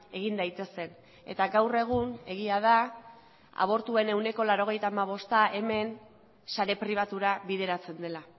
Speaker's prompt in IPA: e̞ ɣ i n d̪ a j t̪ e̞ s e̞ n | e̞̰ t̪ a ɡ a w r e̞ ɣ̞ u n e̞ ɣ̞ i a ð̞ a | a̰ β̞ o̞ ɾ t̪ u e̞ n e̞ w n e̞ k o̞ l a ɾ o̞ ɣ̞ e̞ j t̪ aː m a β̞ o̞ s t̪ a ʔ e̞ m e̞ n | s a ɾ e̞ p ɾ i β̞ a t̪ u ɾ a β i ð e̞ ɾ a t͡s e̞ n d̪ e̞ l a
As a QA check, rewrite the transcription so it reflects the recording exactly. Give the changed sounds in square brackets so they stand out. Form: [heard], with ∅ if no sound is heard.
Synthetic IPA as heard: e̞ ɣ i n d̪ a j t̪ e̞ s e̞ n | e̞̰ t̪ a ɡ a w r e̞ ɣ̞ u n e̞ ɣ̞ i a ð̞ a | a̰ β̞ o̞ ɾ t̪ u e̞ n e̞ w n e̞ k o̞ l a ɾ o̞ ɣ̞ e̞ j t̪ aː m a β̞ o̞ s t̪ a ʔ e̞ m e̞ n | s a ɾ e̞ p ɾ i β̞ a t̪ u ɾ a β i ð e̞ ɾ a t͡s e̞ n d̪ e̞ l a